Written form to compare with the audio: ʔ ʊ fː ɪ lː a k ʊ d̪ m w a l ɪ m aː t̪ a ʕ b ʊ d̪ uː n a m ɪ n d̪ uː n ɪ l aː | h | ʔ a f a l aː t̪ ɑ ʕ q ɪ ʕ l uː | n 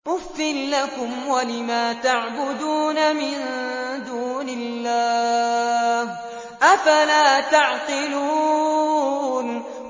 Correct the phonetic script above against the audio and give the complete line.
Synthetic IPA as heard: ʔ ʊ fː ɪ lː a k ʊ m w a l ɪ m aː t̪ a ʕ b ʊ d̪ uː n a m ɪ n d̪ uː n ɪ lː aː | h | ʔ a f a l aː t̪ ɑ ʕ q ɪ l uː | n